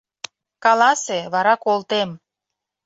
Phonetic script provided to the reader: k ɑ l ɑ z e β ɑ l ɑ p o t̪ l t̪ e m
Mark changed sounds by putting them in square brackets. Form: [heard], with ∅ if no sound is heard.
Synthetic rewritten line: k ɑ l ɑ [s] e β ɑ [ɾ] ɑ [k] o [∅] l t̪ e m

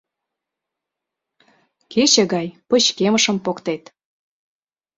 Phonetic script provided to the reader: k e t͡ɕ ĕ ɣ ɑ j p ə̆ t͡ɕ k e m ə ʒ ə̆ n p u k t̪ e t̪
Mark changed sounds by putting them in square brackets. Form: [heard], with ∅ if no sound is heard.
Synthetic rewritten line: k e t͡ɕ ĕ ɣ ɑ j p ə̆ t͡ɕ k e m ə [ʃ] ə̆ [m] p [o] k t̪ e t̪

